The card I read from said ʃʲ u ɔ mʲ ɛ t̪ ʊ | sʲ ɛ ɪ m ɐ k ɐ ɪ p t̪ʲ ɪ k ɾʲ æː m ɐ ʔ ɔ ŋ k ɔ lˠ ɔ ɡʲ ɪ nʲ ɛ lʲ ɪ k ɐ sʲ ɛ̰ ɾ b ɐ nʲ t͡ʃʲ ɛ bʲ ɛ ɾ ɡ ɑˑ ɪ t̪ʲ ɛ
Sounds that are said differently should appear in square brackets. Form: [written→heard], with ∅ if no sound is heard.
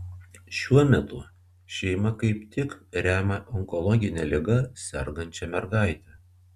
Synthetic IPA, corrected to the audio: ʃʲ u ɔ mʲ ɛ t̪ ʊ | [sʲ→ʃʲ] ɛ ɪ m ɐ k ɐ ɪ p t̪ʲ ɪ k ɾʲ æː m ɐ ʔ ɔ ŋ k ɔ lˠ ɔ ɡʲ ɪ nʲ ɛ lʲ ɪ [k→ɡ] ɐ sʲ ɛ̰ ɾ [b→ɡ] ɐ nʲ t͡ʃʲ ɛ [bʲ→mʲ] ɛ ɾ ɡ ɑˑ ɪ t̪ʲ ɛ